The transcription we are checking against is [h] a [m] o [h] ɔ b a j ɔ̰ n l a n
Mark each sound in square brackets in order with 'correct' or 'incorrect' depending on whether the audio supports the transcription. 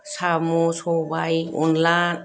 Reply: incorrect: s, correct, incorrect: s

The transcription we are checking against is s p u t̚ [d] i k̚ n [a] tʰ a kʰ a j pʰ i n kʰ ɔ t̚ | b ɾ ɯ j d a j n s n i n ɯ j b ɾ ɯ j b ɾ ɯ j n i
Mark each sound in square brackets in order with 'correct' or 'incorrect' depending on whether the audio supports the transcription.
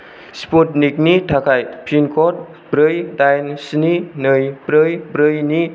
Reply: incorrect: n, incorrect: i

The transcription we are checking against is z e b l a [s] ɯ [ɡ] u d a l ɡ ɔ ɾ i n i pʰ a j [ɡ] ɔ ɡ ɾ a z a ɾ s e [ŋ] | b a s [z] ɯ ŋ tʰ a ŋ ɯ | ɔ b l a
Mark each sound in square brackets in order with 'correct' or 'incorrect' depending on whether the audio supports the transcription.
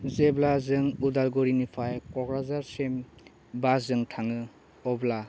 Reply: incorrect: z, incorrect: ŋ, incorrect: k, incorrect: m, correct

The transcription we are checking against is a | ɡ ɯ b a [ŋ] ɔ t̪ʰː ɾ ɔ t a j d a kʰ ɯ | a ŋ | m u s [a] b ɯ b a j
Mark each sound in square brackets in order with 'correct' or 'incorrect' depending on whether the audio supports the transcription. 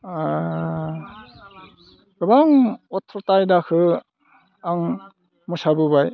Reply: correct, correct

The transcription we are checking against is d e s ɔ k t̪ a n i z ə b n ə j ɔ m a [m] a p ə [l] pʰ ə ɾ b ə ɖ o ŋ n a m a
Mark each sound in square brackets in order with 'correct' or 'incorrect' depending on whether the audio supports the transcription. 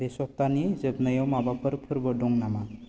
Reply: incorrect: b, incorrect: ɾ

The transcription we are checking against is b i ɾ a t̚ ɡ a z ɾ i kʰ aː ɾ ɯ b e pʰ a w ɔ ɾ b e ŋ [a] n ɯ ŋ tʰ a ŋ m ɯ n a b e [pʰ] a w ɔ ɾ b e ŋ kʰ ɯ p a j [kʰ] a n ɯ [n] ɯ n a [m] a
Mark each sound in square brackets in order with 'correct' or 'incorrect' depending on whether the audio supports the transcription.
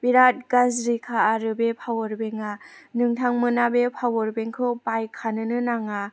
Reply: correct, correct, correct, correct, incorrect: ŋ

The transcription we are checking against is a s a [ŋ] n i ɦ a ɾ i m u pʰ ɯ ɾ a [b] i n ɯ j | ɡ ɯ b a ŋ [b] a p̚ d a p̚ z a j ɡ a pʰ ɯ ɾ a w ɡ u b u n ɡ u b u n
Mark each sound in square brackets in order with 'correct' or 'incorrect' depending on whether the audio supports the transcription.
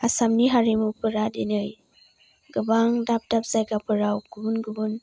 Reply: incorrect: m, incorrect: d, incorrect: d

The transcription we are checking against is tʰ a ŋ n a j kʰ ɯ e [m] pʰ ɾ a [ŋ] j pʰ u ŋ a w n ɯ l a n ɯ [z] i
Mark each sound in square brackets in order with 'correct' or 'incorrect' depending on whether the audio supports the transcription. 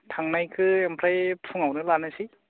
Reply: correct, incorrect: none, incorrect: s

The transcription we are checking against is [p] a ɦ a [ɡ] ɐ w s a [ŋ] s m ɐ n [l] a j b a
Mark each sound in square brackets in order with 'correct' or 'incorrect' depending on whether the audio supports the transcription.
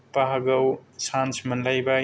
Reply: correct, correct, incorrect: n, correct

